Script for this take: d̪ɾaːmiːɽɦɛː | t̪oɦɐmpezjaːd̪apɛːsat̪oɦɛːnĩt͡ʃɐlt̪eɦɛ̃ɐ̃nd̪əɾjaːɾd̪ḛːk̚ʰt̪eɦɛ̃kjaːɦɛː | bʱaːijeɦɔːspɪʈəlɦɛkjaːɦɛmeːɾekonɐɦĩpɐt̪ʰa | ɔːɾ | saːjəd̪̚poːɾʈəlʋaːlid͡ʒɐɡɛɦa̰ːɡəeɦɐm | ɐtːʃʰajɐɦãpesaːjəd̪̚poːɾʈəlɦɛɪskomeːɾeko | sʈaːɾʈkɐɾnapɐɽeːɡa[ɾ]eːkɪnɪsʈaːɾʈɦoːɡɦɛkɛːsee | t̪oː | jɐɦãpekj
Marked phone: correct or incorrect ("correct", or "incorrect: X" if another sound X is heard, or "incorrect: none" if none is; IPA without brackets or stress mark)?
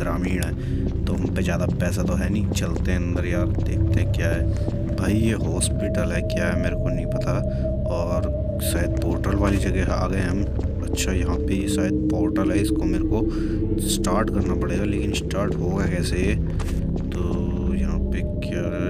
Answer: incorrect: l